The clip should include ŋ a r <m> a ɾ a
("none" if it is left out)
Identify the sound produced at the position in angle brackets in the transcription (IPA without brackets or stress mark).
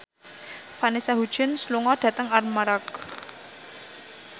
m